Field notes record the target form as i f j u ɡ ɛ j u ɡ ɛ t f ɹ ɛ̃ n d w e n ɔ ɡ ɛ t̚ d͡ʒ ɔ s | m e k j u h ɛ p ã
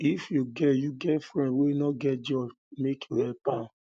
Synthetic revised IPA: i f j u ɡ ɛ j u ɡ ɛ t f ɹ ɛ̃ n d w e n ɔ ɡ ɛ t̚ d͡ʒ ɔ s | m e k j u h ɛ p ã